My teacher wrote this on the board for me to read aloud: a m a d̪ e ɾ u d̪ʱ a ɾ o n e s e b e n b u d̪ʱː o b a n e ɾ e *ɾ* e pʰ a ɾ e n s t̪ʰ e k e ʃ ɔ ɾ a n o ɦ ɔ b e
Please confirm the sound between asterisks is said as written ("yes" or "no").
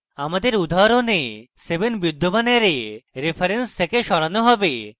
yes